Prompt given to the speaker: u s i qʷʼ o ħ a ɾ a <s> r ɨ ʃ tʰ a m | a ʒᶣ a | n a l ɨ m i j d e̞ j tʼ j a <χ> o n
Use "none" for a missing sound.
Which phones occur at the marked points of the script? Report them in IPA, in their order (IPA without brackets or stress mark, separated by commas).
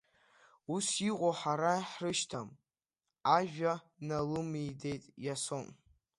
ħ, s